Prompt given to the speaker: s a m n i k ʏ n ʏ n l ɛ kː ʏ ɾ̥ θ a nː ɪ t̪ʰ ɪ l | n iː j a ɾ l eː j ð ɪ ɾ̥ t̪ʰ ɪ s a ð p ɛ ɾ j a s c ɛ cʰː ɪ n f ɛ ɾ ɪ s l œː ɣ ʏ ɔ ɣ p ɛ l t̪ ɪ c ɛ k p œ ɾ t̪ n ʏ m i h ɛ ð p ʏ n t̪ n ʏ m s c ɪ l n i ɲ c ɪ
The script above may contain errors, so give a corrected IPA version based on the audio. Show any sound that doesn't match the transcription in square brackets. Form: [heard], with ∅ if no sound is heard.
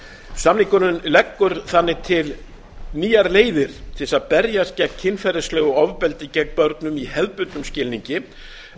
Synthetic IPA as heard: s a m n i k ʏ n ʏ n l ɛ kː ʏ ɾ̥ θ a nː ɪ t̪ʰ ɪ l | n iː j a ɾ l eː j ð ɪ ɾ̥ t̪ʰ ɪ s a ð p ɛ ɾ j a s c ɛ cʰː ɪ n f ɛ ɾ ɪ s l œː ɣ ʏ ɔ [v] p ɛ l t̪ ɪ c ɛ k p œ ɾ t̪ n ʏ m i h ɛ ð p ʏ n t̪ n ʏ m s c ɪ l n i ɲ c ɪ